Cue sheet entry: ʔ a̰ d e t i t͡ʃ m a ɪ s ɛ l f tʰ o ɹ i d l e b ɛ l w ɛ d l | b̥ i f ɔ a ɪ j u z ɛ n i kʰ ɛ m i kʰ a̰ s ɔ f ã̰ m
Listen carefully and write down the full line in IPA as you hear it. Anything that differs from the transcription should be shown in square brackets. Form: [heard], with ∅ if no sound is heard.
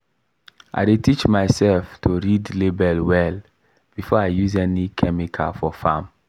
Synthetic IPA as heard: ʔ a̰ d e t i t͡ʃ m a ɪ s ɛ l f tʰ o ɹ i d l e b ɛ l w ɛ [∅] l | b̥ i f ɔ a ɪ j u z ɛ n i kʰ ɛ m i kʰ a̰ [f] ɔ f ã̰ m